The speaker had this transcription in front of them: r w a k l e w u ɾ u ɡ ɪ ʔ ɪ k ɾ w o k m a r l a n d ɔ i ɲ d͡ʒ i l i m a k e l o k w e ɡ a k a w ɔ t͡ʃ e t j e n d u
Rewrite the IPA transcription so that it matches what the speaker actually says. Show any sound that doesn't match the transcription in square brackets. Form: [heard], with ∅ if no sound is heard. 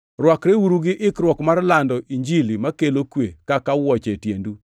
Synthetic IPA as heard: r w a k [ɾ] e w u ɾ u ɡ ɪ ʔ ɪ k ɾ w [ɔ] k m a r l a n d ɔ i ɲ d͡ʒ i l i m a k e l o k w e [k] a k a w ɔ t͡ʃ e t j e n d u